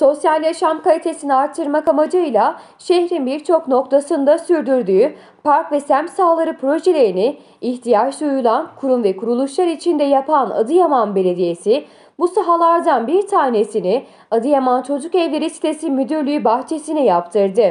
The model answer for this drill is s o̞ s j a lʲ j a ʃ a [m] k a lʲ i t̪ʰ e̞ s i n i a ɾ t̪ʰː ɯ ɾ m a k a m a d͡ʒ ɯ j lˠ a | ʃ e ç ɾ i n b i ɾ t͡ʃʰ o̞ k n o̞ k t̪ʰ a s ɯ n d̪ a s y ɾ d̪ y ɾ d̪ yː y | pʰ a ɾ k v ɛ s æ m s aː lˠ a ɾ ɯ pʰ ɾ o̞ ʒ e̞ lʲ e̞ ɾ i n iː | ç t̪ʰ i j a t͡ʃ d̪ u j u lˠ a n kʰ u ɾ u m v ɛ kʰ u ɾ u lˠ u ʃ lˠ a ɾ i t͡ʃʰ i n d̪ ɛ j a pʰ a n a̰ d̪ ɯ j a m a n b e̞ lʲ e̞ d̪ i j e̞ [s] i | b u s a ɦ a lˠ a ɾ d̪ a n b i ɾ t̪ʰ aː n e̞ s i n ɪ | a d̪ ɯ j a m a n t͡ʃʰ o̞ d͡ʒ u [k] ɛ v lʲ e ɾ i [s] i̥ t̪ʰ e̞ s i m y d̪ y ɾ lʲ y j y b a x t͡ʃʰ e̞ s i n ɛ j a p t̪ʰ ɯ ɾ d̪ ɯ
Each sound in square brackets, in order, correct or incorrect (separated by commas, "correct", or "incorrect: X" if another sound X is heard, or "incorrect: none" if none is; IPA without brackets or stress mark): correct, correct, correct, correct